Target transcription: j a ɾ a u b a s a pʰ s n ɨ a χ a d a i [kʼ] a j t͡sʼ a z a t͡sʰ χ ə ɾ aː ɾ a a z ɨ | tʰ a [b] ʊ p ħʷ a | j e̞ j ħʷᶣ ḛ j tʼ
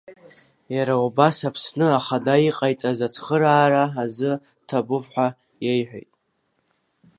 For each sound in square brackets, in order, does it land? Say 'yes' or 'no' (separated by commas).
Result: no, yes